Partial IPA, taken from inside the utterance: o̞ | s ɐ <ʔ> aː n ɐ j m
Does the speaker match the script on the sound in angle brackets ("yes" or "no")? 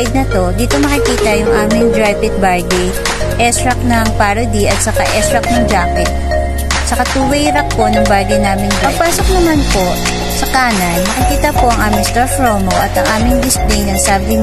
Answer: no